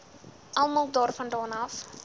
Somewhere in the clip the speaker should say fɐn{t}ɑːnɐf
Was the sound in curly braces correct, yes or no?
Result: no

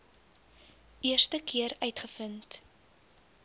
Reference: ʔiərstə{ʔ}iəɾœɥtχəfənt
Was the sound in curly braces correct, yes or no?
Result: no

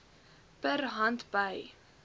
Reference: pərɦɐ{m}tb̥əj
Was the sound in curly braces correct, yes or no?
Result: no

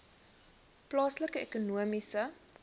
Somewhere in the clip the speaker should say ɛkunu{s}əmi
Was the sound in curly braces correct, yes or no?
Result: no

